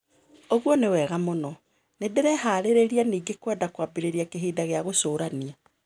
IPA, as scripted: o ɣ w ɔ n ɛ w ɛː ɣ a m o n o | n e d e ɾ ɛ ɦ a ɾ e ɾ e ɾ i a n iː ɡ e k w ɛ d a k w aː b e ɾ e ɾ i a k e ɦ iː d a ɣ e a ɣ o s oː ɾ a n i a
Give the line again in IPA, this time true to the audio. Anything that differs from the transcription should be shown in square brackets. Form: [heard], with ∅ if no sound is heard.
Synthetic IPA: o ɣ w ɔ n [e] w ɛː ɣ a m o n [ɔ] | n e d e ɾ ɛ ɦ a ɾ e ɾ e ɾ i a n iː ɡ e k w ɛ d a k w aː b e ɾ e ɾ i a k e ɦ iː d a ɣ e a ɣ o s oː ɾ a n i a